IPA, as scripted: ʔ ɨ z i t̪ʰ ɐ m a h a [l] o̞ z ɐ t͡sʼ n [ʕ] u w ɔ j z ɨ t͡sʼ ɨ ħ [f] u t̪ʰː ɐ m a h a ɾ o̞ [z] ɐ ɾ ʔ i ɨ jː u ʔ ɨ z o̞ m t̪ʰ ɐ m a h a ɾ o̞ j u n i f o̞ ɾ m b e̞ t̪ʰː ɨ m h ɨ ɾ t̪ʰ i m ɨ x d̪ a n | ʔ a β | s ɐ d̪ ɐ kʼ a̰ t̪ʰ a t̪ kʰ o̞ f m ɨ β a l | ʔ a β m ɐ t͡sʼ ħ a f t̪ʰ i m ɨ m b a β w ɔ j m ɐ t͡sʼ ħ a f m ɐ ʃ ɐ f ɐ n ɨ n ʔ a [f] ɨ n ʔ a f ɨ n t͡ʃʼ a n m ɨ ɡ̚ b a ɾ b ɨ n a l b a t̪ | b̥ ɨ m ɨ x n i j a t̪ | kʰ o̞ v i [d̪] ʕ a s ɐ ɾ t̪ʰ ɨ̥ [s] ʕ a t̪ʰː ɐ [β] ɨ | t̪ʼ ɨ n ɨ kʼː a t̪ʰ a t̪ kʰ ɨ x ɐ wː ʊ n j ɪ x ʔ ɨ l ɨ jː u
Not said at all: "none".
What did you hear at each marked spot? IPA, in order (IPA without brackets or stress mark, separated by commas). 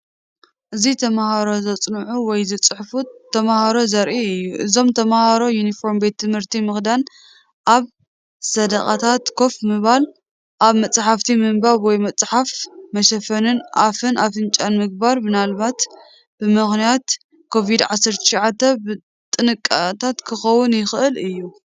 ɾ, ʕ, f, z, f, d̪, ʃ, b